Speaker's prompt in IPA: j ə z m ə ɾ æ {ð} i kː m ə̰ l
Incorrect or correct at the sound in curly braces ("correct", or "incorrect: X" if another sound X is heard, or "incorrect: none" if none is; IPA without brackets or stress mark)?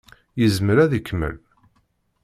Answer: correct